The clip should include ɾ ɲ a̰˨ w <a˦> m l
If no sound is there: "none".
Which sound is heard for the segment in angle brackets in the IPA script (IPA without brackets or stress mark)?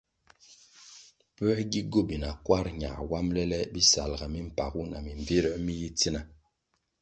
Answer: a˦